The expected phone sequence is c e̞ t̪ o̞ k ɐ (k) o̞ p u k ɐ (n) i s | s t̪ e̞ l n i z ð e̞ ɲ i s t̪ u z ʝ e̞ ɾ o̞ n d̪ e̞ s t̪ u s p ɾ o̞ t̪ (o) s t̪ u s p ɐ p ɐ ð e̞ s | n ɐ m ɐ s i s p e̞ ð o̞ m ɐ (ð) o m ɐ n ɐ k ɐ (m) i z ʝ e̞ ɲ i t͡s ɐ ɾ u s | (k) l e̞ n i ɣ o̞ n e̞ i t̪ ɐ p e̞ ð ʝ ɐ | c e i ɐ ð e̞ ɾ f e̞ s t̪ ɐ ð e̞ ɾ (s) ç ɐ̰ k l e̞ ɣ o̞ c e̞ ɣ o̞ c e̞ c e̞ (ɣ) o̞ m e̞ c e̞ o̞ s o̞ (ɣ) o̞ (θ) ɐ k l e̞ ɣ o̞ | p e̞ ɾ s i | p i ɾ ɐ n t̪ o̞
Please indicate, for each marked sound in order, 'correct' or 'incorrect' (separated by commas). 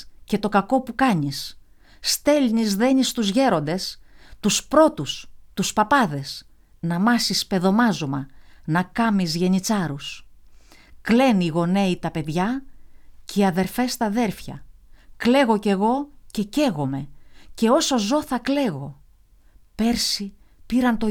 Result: correct, incorrect, incorrect, incorrect, correct, correct, incorrect, correct, incorrect, correct